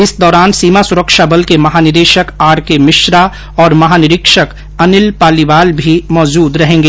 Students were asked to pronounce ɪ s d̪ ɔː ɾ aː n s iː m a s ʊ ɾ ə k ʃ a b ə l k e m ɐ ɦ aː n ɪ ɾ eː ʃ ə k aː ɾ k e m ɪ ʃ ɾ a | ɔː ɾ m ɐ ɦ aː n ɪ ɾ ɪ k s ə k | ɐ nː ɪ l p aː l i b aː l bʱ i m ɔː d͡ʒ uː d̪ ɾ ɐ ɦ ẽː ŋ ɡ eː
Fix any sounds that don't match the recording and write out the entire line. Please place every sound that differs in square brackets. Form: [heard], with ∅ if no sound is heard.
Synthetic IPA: ɪ s d̪ ɔː ɾ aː n s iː m a s ʊ ɾ ə k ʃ a b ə l k e m ɐ ɦ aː n ɪ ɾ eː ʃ ə k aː ɾ k e m ɪ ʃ ɾ a | ɔː ɾ m ɐ ɦ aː n ɪ ɾ ɪ k [ʃ] ə k | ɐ [n] ɪ l p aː l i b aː l bʱ i m ɔː d͡ʒ uː d̪ ɾ ɐ ɦ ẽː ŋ ɡ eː